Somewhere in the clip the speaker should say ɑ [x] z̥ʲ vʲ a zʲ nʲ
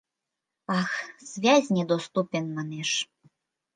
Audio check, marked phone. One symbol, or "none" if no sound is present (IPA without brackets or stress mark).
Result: x